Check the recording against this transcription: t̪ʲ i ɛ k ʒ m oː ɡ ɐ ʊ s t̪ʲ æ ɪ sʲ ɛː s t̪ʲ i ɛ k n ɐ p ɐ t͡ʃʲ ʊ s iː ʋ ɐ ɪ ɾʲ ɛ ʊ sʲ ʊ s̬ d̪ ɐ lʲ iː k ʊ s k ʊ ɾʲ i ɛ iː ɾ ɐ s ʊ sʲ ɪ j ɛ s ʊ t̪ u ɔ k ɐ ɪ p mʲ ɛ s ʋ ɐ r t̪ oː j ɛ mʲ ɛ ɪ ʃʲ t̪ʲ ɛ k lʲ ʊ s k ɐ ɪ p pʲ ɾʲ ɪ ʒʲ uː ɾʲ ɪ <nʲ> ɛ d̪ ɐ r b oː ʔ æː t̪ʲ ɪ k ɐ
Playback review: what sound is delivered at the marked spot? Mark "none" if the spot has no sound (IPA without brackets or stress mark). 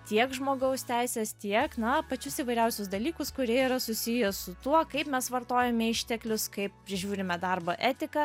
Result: mʲ